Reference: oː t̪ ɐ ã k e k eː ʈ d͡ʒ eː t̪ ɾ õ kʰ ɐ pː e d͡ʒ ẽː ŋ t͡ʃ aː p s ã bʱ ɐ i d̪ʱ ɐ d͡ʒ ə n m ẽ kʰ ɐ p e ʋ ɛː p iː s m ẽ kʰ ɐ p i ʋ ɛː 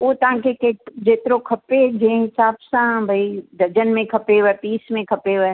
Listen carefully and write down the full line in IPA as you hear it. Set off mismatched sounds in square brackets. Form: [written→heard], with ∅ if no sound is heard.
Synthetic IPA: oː t̪ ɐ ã k e k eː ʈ d͡ʒ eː t̪ ɾ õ kʰ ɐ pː e d͡ʒ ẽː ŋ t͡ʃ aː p s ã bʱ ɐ i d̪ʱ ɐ d͡ʒ ə n m ẽ kʰ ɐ p e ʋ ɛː p iː s m ẽ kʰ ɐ p [i→e] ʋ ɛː